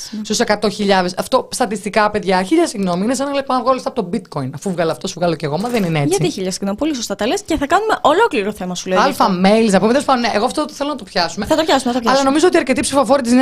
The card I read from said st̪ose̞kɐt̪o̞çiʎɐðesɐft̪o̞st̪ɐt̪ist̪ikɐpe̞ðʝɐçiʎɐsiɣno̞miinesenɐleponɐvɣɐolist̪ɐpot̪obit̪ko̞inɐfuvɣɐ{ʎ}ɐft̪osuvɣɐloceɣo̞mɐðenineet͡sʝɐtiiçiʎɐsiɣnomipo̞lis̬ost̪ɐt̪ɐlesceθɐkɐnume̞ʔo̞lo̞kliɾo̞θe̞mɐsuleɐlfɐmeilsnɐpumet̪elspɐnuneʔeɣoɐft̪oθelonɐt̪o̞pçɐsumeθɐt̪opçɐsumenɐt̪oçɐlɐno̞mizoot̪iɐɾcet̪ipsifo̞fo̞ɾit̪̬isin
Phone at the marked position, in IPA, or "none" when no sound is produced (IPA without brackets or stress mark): l